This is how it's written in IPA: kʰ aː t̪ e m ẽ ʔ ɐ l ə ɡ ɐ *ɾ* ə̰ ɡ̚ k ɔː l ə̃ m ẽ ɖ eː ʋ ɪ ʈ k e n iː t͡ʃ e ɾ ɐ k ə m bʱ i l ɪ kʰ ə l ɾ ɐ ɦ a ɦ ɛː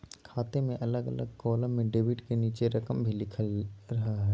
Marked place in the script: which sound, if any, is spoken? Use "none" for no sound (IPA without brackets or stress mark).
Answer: l